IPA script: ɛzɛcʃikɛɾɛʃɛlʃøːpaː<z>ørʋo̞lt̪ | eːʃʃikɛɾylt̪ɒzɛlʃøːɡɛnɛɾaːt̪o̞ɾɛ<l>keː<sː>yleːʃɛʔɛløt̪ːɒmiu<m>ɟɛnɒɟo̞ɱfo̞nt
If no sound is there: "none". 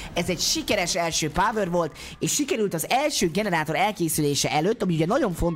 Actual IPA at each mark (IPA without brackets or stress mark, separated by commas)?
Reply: v, l, s, none